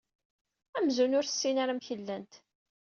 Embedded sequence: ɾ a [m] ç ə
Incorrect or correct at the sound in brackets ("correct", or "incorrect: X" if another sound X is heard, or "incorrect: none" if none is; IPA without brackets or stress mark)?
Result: correct